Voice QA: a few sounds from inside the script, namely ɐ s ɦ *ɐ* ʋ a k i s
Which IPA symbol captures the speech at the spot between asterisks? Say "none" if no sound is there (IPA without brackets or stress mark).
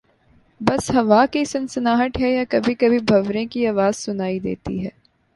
ɐ